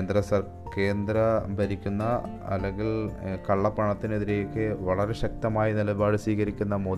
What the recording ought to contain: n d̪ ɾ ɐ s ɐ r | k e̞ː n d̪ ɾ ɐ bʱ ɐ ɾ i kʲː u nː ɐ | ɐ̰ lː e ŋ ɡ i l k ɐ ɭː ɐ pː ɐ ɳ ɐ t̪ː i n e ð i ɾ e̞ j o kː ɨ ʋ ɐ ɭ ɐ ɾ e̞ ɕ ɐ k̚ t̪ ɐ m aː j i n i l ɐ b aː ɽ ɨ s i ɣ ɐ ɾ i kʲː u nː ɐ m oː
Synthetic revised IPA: n d̪ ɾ ɐ s ɐ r | k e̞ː n d̪ ɾ ɐ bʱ ɐ ɾ i kʲː u nː ɐ | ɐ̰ lː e ŋ ɡ i l k ɐ ɭː ɐ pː ɐ ɳ ɐ t̪ː i n e ð i ɾ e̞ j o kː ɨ ʋ ɐ ɭ ɐ ɾ e̞ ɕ ɐ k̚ t̪ ɐ m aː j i n i l ɐ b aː ɽ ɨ s iː ɣ ɐ ɾ i kʲː u nː ɐ m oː